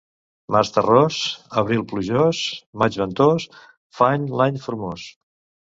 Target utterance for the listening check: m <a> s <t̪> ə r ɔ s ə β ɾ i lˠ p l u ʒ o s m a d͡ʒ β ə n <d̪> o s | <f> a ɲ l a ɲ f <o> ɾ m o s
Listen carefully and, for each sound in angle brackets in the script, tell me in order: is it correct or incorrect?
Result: correct, correct, incorrect: t̪, correct, incorrect: u

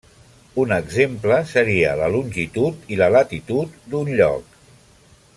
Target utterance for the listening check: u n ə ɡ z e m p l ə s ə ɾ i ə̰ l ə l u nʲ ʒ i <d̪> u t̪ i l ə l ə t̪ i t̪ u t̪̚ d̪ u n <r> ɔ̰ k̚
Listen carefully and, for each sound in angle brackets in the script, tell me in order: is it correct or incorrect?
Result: incorrect: t̪, incorrect: ʎ

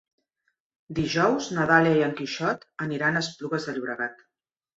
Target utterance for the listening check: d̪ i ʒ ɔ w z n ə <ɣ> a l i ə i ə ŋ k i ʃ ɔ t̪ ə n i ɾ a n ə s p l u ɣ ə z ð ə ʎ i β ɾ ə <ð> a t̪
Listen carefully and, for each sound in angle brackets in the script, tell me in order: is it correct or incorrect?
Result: incorrect: ð, incorrect: ɣ

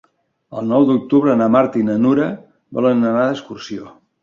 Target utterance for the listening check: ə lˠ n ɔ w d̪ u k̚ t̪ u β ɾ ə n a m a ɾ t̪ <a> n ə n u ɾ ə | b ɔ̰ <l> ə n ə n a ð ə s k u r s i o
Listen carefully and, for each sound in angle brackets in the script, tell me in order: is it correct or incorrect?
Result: incorrect: i, correct

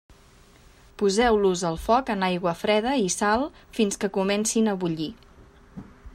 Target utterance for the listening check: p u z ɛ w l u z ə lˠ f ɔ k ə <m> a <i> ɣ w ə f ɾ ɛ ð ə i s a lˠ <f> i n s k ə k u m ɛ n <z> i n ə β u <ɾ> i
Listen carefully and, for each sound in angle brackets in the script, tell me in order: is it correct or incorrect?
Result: incorrect: n, incorrect: j, correct, incorrect: s, incorrect: ʎ

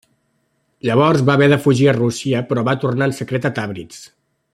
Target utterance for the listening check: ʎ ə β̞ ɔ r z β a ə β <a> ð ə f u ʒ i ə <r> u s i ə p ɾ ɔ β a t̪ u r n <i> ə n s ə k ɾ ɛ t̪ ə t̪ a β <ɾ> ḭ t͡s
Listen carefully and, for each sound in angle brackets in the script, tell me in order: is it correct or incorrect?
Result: incorrect: ɛ, correct, incorrect: a, correct

